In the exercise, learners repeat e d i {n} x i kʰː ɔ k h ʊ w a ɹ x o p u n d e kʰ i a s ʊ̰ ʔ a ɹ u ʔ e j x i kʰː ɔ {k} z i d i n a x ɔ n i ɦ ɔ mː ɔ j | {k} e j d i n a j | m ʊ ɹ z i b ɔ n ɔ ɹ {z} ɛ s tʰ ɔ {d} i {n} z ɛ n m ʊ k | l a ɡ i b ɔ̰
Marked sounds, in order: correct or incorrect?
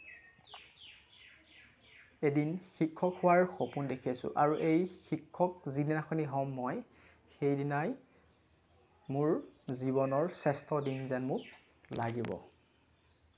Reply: correct, correct, incorrect: x, incorrect: s, correct, correct

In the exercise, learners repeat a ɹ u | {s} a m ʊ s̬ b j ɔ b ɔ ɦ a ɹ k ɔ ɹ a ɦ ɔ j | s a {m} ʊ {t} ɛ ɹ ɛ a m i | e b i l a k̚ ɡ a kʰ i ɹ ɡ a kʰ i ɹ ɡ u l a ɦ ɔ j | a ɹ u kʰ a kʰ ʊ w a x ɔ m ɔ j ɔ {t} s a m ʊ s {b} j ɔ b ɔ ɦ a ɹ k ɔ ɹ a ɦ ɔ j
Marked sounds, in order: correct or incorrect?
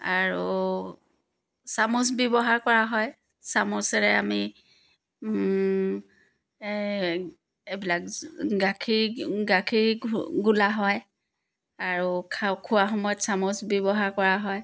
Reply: correct, correct, incorrect: s, correct, correct

